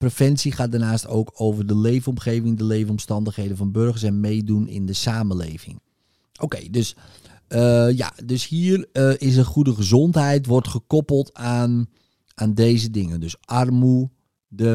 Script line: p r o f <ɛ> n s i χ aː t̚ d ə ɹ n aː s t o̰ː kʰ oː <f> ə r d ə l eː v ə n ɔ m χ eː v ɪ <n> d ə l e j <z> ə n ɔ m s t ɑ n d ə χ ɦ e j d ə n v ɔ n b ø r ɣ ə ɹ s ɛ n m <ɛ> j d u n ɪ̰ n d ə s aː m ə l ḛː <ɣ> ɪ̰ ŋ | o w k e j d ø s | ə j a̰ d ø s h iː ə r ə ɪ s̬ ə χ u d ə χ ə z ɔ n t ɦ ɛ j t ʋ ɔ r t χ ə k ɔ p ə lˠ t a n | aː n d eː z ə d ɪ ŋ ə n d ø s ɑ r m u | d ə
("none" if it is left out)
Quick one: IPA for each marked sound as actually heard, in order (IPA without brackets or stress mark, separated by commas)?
ɛ, v, ŋ, v, e, v